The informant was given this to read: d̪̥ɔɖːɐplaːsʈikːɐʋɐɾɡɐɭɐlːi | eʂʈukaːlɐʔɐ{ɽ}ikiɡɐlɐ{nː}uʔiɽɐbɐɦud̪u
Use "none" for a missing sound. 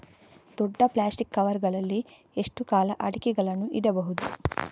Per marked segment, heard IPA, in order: ɽ, n

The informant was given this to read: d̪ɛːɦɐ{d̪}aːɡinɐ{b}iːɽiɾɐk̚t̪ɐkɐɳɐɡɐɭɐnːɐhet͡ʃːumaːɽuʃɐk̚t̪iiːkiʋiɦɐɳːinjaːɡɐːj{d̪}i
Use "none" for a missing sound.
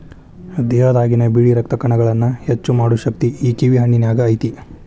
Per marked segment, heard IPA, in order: d̪, b, t̪

